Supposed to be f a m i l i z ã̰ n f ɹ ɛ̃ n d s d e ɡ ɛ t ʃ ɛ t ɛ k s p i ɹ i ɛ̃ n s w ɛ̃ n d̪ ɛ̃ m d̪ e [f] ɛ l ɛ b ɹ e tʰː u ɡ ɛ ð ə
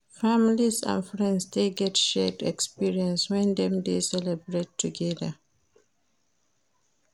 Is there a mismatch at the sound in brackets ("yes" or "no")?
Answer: yes